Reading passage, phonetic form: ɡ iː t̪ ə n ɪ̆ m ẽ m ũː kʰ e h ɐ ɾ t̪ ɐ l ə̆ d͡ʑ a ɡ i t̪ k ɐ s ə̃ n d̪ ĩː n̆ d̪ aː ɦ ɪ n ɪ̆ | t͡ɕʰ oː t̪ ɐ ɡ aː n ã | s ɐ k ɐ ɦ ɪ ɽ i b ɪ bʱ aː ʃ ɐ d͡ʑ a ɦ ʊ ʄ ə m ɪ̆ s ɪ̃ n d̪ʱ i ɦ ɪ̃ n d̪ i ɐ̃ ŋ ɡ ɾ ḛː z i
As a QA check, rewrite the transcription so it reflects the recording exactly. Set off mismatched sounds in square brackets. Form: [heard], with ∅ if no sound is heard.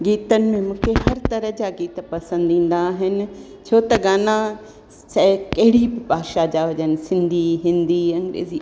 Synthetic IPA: ɡ iː t̪ ə n ɪ̆ m ẽ m ũː kʰ e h ɐ ɾ t̪ ɐ [ɾ] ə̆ d͡ʑ a ɡ [iː] t̪ [p] ɐ s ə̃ n d̪ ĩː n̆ d̪ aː ɦ ɪ n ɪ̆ | t͡ɕʰ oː t̪ ɐ ɡ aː n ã | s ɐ k ɐ ɦ ɪ ɽ i b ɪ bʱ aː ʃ [a] d͡ʑ a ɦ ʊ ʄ ə [n] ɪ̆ s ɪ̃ n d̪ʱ i ɦ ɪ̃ n d̪ i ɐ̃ ŋ ɡ ɾ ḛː z i